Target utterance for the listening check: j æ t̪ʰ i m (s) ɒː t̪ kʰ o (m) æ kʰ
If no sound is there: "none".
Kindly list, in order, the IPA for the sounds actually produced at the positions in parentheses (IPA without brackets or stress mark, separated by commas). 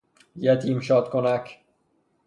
ʃ, n